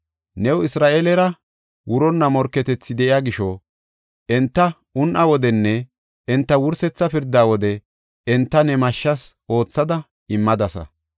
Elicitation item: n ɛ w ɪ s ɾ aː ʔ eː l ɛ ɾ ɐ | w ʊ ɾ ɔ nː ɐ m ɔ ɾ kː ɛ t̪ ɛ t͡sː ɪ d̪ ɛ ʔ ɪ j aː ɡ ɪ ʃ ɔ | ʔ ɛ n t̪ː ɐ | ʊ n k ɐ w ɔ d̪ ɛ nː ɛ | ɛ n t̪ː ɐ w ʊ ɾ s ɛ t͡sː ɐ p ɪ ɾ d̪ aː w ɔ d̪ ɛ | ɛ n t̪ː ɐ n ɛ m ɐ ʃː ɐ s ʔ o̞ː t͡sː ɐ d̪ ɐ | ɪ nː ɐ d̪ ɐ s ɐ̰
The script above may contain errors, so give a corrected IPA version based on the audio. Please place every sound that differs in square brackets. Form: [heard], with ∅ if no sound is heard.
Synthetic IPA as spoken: n ɛ w ɪ s ɾ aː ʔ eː l ɛ ɾ ɐ | w ʊ ɾ ɔ nː ɐ m ɔ ɾ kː ɛ t̪ ɛ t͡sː ɪ d̪ ɛ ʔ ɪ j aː ɡ ɪ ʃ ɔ | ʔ ɛ n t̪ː ɐ | ʊ n [ʔ] ɐ w ɔ d̪ ɛ nː ɛ | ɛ n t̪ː ɐ w ʊ ɾ s ɛ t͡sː ɐ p ɪ ɾ d̪ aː w ɔ d̪ ɛ | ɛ n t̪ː ɐ n ɛ m ɐ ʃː ɐ s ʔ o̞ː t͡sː ɐ d̪ ɐ | ɪ [mː] ɐ d̪ ɐ s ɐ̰

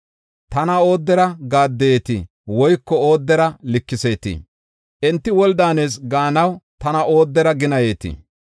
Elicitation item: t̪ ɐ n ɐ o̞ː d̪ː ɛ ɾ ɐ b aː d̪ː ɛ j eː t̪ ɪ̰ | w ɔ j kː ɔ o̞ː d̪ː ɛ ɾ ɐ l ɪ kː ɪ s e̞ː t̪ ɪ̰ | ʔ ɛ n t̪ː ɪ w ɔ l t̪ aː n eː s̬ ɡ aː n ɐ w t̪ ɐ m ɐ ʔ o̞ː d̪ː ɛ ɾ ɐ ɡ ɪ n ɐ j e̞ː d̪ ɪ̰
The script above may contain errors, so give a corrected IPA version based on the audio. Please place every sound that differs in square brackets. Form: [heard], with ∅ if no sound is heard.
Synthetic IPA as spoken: t̪ ɐ n ɐ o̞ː d̪ː ɛ ɾ ɐ [ɡ] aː d̪ː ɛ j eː t̪ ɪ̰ | w ɔ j kː ɔ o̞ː d̪ː ɛ ɾ ɐ l ɪ kː ɪ s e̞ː t̪ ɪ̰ | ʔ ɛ n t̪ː ɪ w ɔ l [d̪] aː n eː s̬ ɡ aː n ɐ w t̪ ɐ [n] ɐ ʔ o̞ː d̪ː ɛ ɾ ɐ ɡ ɪ n ɐ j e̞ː [t̪] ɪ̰

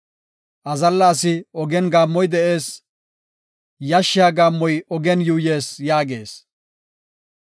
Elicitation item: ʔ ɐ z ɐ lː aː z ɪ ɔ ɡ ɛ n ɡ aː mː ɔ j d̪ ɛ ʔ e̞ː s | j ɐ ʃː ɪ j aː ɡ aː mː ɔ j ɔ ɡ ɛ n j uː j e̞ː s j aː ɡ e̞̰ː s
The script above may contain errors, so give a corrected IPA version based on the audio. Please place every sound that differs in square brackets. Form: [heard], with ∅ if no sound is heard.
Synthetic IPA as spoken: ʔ ɐ z ɐ lː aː [s] ɪ ɔ ɡ ɛ n ɡ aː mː ɔ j d̪ ɛ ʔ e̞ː s | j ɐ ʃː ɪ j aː ɡ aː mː ɔ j ɔ ɡ ɛ n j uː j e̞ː s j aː ɡ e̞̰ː s

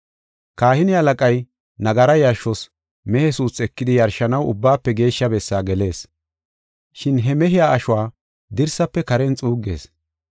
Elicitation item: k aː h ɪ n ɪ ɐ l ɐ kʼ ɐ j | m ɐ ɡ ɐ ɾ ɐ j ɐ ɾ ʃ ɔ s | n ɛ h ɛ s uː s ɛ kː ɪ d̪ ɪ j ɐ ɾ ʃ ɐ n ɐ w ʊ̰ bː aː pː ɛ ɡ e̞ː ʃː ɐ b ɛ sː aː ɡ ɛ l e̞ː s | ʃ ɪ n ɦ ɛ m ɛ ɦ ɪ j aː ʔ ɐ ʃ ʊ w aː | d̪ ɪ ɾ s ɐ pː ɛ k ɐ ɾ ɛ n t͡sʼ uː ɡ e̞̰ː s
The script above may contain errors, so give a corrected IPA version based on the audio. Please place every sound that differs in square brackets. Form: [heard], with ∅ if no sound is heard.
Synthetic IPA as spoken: k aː h ɪ n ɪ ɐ l ɐ kʼ ɐ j | [n] ɐ ɡ ɐ ɾ ɐ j ɐ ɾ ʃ ɔ s | [m] ɛ h ɛ s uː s ɛ kː ɪ d̪ ɪ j ɐ ɾ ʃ ɐ n ɐ w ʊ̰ bː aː pː ɛ ɡ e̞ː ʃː ɐ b ɛ sː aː ɡ ɛ l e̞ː s | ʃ ɪ n ɦ ɛ m ɛ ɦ ɪ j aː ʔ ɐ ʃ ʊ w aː | d̪ ɪ ɾ s ɐ pː ɛ k ɐ ɾ ɛ n t͡sʼ uː ɡ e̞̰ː s

